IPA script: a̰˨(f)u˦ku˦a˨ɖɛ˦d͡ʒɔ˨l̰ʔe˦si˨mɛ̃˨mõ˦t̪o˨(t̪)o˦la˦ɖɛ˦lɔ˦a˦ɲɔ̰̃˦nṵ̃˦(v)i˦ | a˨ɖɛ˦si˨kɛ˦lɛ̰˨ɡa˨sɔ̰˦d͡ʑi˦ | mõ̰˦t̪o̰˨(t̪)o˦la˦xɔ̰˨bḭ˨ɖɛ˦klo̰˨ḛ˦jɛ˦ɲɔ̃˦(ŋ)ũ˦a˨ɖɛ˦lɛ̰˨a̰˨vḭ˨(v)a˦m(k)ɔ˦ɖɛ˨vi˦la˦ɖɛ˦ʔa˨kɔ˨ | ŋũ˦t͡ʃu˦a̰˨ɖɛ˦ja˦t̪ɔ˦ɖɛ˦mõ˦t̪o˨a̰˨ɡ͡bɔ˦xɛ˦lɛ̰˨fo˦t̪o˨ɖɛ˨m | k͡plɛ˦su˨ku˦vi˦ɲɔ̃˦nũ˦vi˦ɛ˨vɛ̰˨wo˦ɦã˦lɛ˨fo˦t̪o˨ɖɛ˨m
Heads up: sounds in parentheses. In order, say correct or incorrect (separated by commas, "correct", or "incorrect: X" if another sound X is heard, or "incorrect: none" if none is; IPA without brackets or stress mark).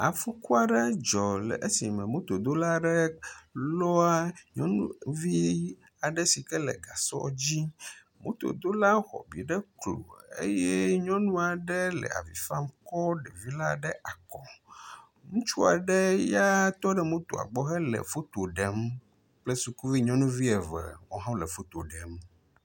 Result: correct, incorrect: d̪, correct, incorrect: d̪, incorrect: n, incorrect: f, correct